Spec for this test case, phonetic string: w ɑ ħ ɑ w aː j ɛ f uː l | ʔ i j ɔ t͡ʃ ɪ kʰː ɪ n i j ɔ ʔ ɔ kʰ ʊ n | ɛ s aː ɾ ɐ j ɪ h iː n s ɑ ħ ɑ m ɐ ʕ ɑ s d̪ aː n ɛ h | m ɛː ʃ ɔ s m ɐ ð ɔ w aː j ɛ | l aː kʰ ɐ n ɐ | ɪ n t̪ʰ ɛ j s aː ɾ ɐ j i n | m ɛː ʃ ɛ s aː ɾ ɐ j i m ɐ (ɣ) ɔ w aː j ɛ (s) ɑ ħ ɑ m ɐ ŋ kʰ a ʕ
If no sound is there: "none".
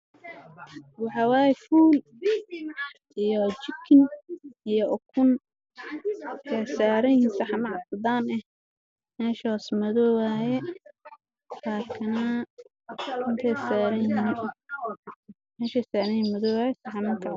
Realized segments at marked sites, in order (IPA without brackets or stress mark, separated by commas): ð, s